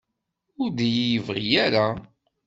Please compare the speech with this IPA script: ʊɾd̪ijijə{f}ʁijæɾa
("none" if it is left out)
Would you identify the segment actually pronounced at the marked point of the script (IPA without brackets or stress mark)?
v